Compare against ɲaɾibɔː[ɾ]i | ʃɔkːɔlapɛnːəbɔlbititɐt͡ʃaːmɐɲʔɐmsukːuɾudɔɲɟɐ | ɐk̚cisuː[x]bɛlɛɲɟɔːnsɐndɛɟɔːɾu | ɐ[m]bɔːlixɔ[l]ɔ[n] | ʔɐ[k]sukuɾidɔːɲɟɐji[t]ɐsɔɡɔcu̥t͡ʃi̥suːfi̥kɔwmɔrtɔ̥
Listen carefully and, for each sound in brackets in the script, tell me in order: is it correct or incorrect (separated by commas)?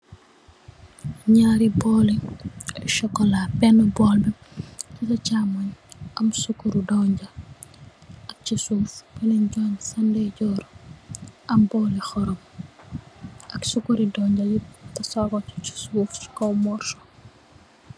incorrect, incorrect, correct, incorrect, incorrect, correct, correct